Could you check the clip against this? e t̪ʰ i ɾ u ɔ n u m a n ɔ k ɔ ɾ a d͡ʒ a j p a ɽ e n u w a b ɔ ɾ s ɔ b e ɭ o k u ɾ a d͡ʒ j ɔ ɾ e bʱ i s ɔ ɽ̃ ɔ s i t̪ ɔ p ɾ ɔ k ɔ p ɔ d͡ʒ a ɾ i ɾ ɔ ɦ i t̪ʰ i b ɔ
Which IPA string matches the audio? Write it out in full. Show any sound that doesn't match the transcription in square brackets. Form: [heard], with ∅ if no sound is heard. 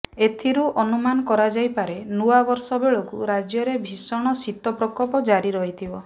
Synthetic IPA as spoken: e t̪ʰ i ɾ u ɔ n u m a n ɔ k ɔ ɾ a d͡ʒ a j p a [ɾ] e n u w a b ɔ ɾ s ɔ b e ɭ o k u ɾ a d͡ʒ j ɔ ɾ e bʱ i s ɔ ɽ̃ ɔ s i t̪ ɔ p ɾ ɔ k ɔ p ɔ d͡ʒ a ɾ i ɾ ɔ ɦ i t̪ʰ i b ɔ

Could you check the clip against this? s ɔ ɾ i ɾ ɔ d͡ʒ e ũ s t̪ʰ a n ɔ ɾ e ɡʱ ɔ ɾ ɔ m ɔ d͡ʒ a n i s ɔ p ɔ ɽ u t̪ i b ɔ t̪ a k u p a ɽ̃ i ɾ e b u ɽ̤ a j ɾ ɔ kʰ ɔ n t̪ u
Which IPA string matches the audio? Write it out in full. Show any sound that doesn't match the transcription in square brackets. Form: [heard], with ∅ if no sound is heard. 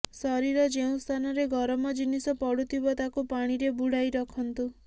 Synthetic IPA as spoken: s ɔ ɾ i ɾ ɔ d͡ʒ e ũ s t̪ʰ a n ɔ ɾ e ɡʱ ɔ ɾ ɔ m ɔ d͡ʒ [i] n i s ɔ p ɔ ɽ u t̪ i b ɔ t̪ a k u p a ɽ̃ i ɾ e b u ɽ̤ a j ɾ ɔ kʰ ɔ n t̪ u

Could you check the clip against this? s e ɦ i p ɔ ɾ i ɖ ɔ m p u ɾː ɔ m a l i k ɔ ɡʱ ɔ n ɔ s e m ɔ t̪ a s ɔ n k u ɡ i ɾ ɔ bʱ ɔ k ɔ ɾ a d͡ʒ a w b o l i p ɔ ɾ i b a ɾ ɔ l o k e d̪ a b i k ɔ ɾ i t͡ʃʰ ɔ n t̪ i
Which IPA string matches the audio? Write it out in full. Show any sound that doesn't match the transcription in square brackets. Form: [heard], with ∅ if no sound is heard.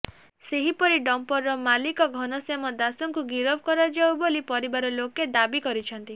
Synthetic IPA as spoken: s e ɦ i p ɔ ɾ i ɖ ɔ m p [ɔ] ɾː ɔ m a l i k ɔ ɡʱ ɔ n ɔ s e m ɔ [d̪] a s ɔ [ŋ] k u ɡ i ɾ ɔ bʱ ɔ k ɔ ɾ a d͡ʒ a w b o l i p ɔ ɾ i b a ɾ ɔ l o k e d̪ a b i k ɔ ɾ i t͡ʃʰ ɔ n t̪ i

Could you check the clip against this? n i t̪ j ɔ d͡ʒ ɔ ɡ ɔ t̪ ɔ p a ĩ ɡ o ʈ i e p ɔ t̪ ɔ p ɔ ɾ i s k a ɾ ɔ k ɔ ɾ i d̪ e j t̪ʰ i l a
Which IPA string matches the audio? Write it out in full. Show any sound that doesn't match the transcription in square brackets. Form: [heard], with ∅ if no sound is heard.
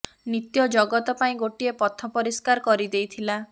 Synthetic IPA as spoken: n i t̪ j ɔ d͡ʒ ɔ ɡ ɔ t̪ ɔ p a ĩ ɡ o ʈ i e p ɔ [t̪ʰ] ɔ p ɔ ɾ i s k a ɾ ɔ k ɔ ɾ i d̪ e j t̪ʰ i l a

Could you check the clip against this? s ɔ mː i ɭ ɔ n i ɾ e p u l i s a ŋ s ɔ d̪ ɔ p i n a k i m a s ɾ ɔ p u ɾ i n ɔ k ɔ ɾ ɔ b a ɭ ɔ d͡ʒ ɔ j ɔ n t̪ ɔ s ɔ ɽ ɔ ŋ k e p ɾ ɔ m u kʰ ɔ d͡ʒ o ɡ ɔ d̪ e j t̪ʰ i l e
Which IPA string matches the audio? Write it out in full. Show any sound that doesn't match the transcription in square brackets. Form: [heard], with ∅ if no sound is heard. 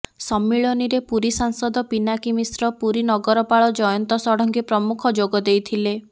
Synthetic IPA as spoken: s ɔ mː i ɭ ɔ n i ɾ e p u [ɾ] i s a ŋ s ɔ d̪ ɔ p i n a k i m [i] s ɾ ɔ p u ɾ i n ɔ [ɡ] ɔ ɾ ɔ [p] a ɭ ɔ d͡ʒ ɔ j ɔ n t̪ ɔ s ɔ ɽ ɔ ŋ k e p ɾ ɔ m u kʰ ɔ d͡ʒ o ɡ ɔ d̪ e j t̪ʰ i l e

